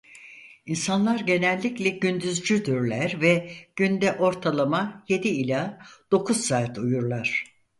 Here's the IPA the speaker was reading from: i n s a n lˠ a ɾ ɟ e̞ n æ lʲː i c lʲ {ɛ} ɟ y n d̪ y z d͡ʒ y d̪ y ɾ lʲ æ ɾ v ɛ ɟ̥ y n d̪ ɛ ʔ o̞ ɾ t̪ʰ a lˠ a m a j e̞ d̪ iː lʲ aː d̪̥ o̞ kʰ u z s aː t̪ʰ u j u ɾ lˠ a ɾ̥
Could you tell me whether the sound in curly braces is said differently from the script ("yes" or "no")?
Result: no